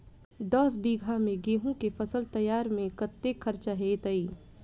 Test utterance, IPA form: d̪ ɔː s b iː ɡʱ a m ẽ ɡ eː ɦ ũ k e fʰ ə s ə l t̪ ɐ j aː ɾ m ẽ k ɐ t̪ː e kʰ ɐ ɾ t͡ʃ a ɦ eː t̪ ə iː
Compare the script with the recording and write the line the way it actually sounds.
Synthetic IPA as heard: d̪ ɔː s b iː ɡʱ a m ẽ ɡ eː ɦ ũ k e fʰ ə s ə l t̪ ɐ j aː ɾ m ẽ k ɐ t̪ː e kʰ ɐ ɾ t͡ʃ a ɦ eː t̪ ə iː